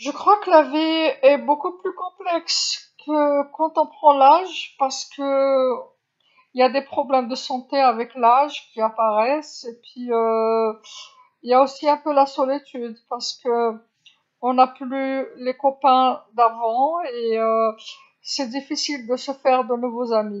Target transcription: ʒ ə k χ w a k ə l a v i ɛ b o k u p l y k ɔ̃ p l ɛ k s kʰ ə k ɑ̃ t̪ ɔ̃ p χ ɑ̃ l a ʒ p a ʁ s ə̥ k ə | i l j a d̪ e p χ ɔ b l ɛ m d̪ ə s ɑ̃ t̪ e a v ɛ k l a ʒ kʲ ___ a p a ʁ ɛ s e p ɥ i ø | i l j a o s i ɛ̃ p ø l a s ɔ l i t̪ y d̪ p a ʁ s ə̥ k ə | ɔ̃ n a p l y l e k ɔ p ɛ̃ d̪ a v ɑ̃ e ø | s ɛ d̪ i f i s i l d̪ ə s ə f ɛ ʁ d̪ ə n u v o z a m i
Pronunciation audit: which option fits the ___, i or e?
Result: i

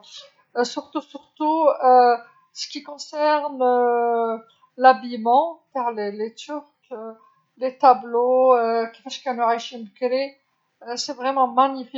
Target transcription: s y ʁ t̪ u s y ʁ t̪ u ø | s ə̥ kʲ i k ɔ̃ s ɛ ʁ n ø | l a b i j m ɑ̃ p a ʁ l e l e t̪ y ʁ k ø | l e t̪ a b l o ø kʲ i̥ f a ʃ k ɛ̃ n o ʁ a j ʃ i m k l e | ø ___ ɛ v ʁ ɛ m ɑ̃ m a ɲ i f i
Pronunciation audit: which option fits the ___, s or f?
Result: s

